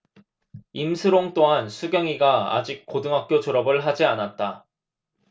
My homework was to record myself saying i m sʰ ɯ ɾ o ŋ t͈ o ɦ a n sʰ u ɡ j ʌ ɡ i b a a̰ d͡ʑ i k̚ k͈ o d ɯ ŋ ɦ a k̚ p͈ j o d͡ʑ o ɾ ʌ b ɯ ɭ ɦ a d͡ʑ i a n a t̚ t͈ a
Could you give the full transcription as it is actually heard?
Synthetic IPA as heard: i m sʰ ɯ ɾ o ŋ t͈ o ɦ a n sʰ u ɡ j ʌ ŋ i ɡ a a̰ d͡ʑ i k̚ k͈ o d ɯ ŋ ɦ a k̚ k͈ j o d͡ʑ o ɾ ʌ b ɯ ɭ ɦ a d͡ʑ i a n a t̚ t͈ a